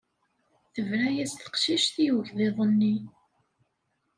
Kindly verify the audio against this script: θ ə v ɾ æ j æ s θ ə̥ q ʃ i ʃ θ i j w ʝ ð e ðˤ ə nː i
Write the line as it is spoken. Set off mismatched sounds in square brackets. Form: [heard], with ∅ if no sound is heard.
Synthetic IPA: θ ə v ɾ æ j æ s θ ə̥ q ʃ i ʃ θ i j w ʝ ð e ðˤ ə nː i